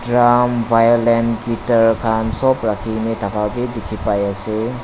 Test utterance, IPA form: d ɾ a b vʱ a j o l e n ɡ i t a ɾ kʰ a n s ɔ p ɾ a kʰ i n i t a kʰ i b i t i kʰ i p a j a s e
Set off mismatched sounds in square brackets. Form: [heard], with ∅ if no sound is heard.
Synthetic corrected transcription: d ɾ a [m] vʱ a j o l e n ɡ i t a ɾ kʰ a n s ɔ p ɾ a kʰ i n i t a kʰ [a] b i [d] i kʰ i p a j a s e